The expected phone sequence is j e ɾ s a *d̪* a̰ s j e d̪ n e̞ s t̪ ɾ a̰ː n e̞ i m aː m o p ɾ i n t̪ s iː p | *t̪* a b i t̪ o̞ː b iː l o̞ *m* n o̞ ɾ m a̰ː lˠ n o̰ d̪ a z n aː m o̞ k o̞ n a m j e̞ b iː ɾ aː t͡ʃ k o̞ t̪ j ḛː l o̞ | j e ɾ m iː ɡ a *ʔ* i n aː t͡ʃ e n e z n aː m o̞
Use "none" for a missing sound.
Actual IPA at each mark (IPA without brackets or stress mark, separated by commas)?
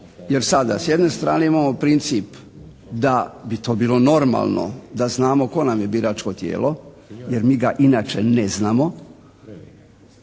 d̪, d̪, none, ʔ